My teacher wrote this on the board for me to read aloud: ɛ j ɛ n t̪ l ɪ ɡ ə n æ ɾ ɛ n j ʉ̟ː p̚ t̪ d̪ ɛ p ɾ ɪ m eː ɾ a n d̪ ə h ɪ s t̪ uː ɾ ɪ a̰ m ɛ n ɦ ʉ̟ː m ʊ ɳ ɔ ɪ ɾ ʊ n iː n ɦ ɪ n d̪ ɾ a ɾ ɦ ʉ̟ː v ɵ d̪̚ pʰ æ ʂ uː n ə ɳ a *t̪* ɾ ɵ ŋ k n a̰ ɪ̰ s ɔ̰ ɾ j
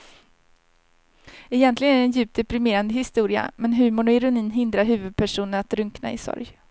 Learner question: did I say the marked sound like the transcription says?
yes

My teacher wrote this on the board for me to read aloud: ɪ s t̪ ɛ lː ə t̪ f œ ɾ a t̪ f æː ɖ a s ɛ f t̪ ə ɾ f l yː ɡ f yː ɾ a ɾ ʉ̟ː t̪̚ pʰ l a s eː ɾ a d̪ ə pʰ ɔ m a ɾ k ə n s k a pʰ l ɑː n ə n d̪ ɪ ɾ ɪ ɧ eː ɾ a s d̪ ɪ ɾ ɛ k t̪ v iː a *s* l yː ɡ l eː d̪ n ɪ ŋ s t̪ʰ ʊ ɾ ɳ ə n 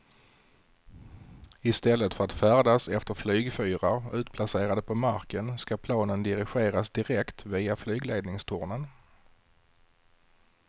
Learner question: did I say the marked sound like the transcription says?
no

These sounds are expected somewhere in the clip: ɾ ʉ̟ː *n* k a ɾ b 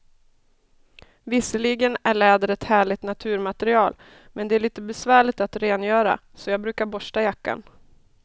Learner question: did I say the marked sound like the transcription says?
no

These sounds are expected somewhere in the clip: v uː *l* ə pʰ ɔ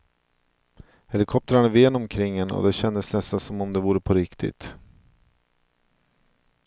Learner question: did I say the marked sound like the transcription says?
no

